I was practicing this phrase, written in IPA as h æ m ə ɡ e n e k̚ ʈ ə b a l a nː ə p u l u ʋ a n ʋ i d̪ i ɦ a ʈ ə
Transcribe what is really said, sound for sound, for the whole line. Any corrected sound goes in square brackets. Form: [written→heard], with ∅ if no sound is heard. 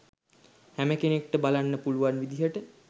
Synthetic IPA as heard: h æ m ə [ɡ→k] e n e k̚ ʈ ə b a l a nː ə p u l u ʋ a n ʋ i d̪ i ɦ [a→ə] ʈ ə